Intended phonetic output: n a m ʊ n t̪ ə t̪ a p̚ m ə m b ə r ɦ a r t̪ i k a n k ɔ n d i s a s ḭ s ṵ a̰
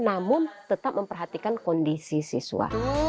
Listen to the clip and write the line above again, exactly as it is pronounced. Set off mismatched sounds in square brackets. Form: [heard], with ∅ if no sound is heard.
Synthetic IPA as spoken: n a m ʊ n t̪ ə t̪ a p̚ m ə m [p] ə r ɦ a [∅] t̪ i k a n k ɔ n d i s [i] s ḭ s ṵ a̰